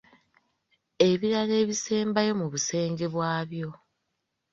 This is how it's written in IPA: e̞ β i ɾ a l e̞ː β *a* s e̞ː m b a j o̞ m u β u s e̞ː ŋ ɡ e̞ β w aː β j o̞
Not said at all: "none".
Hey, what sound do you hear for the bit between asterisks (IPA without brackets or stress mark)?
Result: i